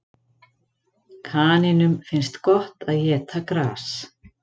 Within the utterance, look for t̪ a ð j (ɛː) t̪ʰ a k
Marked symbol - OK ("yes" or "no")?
yes